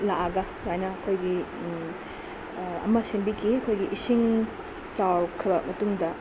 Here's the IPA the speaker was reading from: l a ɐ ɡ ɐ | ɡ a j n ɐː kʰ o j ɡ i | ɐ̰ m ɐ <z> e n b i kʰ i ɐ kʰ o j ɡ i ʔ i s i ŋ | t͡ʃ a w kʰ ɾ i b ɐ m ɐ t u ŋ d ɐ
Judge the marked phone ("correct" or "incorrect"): incorrect